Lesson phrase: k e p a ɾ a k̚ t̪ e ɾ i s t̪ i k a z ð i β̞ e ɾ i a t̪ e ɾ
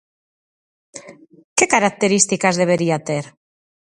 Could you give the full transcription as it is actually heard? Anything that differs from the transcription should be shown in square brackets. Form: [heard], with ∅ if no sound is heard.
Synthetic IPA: k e [k] a ɾ a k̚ t̪ e ɾ i s t̪ i k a z ð [e] β̞ e ɾ i a t̪ e ɾ